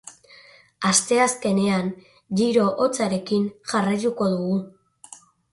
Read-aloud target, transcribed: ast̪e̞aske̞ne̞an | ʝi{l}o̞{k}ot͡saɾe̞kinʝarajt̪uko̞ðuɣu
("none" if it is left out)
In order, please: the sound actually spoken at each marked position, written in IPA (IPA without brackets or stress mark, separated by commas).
ɾ, ʔ